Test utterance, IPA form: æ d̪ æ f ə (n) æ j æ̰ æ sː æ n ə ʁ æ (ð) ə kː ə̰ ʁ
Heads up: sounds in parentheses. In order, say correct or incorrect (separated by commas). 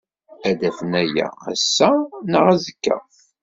correct, incorrect